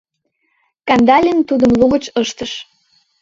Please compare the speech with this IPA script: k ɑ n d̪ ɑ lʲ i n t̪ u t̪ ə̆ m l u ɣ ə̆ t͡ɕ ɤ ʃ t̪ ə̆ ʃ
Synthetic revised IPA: k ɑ n d̪ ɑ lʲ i n t̪ u d̪ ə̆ m l u ɣ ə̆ t͡ɕ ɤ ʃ t̪ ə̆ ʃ